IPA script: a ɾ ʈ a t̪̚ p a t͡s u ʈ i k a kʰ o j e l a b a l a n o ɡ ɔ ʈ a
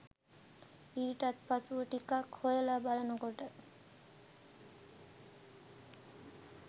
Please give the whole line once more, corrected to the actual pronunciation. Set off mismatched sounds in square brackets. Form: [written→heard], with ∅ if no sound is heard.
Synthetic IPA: [a→i] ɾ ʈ a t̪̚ p a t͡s u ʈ i k a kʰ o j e l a b a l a n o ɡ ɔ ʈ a